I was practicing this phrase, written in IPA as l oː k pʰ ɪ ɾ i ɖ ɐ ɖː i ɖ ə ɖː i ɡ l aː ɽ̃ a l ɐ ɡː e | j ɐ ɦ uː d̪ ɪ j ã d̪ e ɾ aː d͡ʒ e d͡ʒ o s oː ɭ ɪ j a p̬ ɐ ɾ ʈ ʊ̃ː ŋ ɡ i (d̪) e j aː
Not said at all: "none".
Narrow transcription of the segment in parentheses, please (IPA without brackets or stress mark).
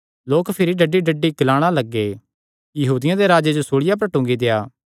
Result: d̪